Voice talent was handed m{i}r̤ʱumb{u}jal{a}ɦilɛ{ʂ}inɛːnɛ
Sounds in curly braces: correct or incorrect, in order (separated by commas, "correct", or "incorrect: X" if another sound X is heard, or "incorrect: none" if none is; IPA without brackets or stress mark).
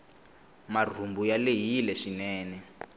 incorrect: a, correct, incorrect: e, incorrect: ʃ